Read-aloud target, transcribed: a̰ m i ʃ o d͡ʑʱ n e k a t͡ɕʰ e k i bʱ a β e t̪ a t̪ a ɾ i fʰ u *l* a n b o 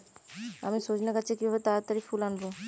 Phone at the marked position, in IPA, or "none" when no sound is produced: l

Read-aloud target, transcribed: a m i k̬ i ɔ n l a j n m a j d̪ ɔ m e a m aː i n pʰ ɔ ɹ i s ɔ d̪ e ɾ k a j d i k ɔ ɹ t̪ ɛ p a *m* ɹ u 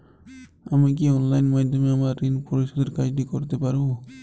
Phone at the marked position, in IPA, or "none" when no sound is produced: none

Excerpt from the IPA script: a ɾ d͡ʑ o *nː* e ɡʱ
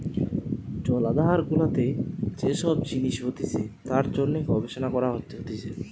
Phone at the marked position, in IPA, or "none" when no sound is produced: nː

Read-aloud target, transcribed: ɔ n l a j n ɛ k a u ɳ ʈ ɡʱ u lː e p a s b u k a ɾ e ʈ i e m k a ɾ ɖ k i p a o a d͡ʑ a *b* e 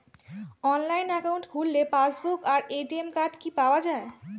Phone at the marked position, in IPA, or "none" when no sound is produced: none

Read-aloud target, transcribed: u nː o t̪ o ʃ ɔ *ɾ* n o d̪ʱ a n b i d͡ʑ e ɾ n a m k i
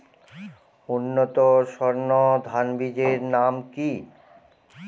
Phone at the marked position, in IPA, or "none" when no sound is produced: ɾ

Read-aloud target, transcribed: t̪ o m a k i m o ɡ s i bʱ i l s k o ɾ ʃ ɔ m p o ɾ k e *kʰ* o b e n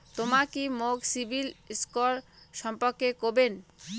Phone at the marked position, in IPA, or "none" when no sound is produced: k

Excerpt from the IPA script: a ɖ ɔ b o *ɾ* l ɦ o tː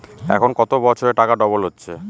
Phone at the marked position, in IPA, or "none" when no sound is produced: none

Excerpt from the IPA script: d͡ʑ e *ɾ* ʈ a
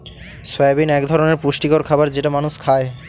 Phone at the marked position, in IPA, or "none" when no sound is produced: none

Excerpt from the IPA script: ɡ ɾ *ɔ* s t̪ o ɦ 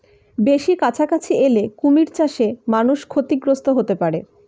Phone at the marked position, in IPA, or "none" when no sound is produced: o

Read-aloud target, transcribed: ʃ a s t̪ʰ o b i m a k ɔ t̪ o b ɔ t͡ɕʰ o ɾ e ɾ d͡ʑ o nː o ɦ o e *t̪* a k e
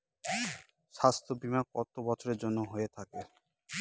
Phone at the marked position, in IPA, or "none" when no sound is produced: t̪ʰ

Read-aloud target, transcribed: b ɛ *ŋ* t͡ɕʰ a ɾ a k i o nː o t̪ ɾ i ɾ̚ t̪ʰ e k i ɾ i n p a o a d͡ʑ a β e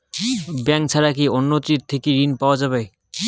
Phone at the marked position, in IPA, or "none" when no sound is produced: ŋ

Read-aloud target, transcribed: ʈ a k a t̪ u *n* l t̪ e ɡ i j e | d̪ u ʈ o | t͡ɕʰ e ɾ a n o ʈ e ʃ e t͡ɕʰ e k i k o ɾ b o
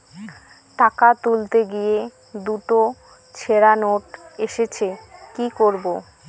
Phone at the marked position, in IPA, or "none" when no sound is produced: none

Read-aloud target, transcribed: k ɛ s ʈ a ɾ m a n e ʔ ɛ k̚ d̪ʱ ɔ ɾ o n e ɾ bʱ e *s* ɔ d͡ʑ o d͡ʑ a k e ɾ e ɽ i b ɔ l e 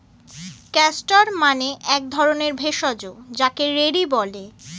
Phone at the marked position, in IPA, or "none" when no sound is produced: ʃ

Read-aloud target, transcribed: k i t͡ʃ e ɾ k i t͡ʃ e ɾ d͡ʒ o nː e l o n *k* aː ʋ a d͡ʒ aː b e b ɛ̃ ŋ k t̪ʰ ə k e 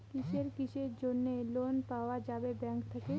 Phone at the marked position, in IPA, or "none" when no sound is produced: p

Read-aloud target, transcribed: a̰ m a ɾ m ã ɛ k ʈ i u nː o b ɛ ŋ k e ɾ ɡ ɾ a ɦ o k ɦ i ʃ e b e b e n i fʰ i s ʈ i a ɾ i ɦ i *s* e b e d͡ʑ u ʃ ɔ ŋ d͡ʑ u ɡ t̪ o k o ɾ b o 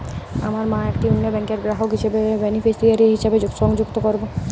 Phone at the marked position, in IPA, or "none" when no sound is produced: ʃ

